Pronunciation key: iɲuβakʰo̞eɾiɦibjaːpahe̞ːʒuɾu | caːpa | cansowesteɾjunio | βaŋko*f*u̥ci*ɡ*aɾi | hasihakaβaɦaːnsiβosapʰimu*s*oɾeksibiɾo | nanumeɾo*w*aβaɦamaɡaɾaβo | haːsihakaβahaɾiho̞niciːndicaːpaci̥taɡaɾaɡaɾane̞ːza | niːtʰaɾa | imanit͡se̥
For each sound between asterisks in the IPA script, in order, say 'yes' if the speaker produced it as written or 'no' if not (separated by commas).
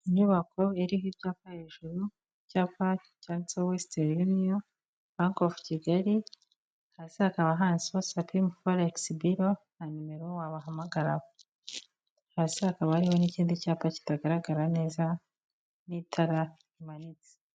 yes, yes, no, yes